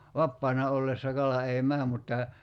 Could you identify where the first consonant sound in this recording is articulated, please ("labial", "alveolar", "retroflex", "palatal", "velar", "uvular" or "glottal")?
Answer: labial